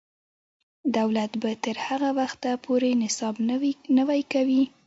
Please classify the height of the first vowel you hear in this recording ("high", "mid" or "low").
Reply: low